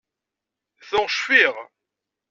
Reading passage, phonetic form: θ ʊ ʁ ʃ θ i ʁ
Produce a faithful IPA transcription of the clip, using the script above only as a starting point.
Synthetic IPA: θ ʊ ʁ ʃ f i ʁ